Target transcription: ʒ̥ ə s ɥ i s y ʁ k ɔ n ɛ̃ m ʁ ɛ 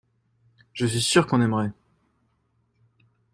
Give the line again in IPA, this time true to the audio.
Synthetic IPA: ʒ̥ ə s ɥ i s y ʁ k ɔ̃ n ɛ m ʁ ɛ